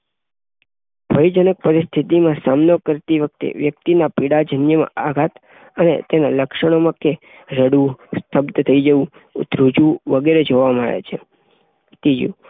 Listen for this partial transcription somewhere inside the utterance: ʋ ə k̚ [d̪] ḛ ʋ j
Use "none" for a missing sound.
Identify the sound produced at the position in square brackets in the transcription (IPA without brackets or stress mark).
t̪